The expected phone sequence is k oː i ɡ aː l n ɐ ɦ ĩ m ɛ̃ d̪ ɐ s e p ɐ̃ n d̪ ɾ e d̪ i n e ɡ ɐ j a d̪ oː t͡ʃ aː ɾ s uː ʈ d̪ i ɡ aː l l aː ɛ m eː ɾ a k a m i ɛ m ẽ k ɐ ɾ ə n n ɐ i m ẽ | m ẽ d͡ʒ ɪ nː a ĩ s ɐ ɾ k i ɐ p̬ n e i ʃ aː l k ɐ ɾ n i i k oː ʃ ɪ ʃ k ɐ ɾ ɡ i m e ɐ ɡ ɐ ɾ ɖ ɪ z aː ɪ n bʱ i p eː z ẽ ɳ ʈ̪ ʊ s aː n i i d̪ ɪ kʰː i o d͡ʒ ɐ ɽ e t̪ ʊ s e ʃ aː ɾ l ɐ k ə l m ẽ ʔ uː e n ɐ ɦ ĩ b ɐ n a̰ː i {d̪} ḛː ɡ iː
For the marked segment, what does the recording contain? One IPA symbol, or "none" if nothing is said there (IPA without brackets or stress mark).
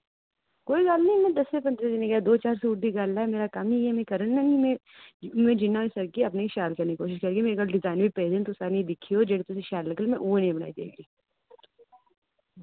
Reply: d̪